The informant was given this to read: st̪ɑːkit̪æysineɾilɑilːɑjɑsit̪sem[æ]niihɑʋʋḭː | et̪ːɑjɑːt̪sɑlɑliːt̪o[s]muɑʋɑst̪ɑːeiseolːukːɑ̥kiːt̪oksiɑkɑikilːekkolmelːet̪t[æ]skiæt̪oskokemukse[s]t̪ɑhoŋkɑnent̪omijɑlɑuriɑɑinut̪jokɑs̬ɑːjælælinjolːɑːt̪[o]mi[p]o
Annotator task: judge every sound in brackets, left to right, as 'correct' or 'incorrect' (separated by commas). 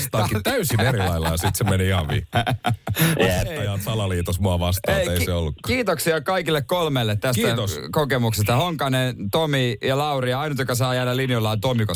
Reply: incorrect, correct, correct, correct, correct, incorrect